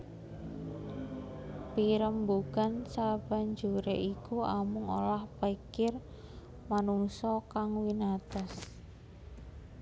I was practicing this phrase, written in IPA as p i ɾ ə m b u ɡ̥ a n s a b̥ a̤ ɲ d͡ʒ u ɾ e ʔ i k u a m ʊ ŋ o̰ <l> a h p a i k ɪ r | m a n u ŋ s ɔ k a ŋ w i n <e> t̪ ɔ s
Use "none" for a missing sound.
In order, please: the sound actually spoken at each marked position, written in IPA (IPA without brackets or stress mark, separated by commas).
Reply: l, a